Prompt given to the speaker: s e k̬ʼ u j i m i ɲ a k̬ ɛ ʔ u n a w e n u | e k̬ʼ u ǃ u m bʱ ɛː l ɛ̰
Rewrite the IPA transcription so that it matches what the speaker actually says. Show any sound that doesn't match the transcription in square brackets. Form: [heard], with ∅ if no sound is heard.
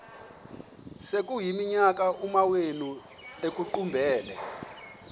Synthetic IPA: s e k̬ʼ u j i m i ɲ a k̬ [a] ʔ u [m] a w e n u | e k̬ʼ u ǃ u m bʱ ɛː l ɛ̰